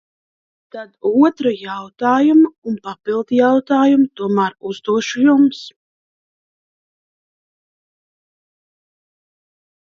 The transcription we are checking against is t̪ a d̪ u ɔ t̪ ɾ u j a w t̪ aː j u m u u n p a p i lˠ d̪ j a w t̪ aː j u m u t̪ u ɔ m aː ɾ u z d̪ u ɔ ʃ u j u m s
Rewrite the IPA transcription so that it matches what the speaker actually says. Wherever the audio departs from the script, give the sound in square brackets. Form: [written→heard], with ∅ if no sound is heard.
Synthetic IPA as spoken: t̪ a d̪ u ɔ t̪ ɾ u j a w t̪ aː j u m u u n p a p i lˠ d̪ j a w t̪ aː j u m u t̪ u ɔ m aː ɾ u z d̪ u ɔ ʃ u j u m s